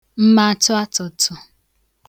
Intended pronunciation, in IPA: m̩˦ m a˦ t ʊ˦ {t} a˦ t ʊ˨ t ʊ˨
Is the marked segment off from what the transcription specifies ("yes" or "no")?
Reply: yes